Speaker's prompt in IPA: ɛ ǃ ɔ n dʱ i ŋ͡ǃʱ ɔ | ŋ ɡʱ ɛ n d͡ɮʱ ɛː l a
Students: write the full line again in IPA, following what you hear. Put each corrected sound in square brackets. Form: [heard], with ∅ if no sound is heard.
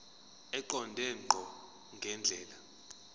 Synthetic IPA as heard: ɛ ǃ ɔ n dʱ [ɛ] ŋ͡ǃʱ ɔ | ŋ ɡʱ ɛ n d͡ɮʱ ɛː l a